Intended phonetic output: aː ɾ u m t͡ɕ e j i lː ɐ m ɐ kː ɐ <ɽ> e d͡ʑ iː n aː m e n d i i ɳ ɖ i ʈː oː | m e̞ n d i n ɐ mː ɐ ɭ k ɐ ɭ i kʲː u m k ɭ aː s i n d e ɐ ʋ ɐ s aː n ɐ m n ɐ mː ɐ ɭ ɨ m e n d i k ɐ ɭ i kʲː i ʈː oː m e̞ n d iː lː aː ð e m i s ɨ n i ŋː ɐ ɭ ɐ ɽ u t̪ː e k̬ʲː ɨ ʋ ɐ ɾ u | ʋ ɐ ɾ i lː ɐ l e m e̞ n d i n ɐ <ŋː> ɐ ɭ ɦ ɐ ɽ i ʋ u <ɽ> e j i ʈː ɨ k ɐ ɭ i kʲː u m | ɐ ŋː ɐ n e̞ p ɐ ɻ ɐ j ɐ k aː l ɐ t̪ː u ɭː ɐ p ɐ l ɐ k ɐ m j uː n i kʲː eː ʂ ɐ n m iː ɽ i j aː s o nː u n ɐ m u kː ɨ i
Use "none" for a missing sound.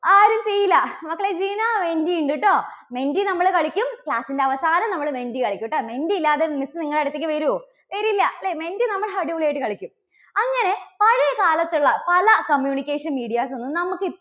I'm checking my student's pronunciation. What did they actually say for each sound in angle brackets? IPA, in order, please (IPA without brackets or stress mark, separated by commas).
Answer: ɭ, mː, ɭ